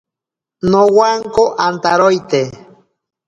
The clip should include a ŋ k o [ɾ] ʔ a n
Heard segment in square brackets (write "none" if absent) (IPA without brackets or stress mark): none